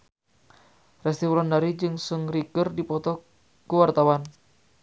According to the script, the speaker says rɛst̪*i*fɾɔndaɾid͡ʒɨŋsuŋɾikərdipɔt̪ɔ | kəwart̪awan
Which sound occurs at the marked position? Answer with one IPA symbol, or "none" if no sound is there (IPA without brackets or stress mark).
i